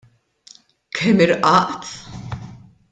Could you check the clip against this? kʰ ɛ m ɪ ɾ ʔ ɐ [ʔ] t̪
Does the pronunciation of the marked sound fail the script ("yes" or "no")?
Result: no